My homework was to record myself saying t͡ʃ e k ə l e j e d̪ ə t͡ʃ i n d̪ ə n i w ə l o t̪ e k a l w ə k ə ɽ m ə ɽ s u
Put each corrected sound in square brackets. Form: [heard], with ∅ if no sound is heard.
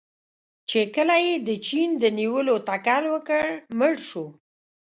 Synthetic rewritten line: t͡ʃ e k ə l [a] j e d̪ ə t͡ʃ i n d̪ ə n i w ə l o t̪ [a] k a l w ə k ə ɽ m ə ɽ [ʃ] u